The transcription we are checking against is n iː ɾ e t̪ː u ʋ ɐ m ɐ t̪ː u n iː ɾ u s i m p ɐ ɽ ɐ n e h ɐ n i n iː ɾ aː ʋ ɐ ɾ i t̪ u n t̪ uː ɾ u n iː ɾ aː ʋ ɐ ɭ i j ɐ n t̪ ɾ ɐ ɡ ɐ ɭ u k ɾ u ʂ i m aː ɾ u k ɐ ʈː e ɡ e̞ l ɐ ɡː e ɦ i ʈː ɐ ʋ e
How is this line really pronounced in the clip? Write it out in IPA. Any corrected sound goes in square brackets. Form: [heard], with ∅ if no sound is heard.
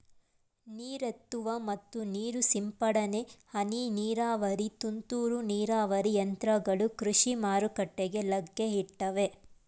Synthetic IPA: n iː ɾ e t̪ː u ʋ ɐ m ɐ t̪ː u n iː ɾ u s i m p ɐ ɽ ɐ n e h ɐ n i n iː ɾ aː ʋ ɐ ɾ i t̪ u n t̪ uː ɾ u n iː ɾ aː ʋ ɐ [ɾ] i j ɐ n t̪ ɾ ɐ ɡ ɐ ɭ u k ɾ u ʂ i m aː ɾ u k ɐ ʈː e ɡ e̞ l ɐ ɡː e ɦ i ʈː ɐ ʋ e